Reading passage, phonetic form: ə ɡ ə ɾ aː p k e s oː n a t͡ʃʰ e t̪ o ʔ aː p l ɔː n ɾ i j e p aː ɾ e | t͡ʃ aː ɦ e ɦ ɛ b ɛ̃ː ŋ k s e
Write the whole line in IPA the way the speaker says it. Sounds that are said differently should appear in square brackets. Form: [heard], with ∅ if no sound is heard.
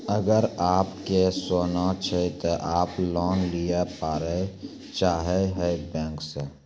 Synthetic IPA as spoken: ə ɡ ə ɾ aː p k e s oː n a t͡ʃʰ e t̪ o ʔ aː p l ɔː n [l] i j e p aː ɾ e | t͡ʃ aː ɦ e ɦ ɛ b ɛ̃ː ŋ k s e

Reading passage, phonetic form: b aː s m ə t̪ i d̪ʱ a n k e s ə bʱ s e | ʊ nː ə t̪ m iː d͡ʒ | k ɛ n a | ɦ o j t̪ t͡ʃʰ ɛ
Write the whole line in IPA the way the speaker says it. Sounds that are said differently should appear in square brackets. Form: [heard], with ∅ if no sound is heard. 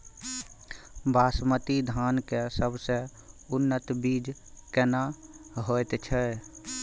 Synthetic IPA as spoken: b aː s m ə t̪ i d̪ʱ a n k e s ə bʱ s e | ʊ nː ə t̪ [b] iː d͡ʒ | k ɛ n a | ɦ o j t̪ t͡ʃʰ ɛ

